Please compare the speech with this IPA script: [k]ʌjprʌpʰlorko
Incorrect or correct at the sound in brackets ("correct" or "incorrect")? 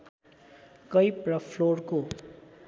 correct